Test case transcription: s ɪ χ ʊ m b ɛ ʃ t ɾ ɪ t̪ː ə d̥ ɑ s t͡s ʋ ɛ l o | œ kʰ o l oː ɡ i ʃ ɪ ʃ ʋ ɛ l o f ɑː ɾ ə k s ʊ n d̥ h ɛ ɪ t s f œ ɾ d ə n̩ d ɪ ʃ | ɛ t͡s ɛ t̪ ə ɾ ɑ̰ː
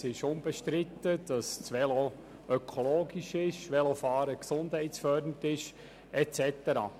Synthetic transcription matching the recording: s ɪ ʃ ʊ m b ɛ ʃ t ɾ ɪ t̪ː ə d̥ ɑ s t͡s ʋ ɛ l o | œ kʰ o l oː ɡ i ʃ ɪ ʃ ʋ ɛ l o f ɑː ɾ ə k s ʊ n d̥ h ɛ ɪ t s f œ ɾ d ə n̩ t ɪ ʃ | ɛ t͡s ɛ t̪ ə ɾ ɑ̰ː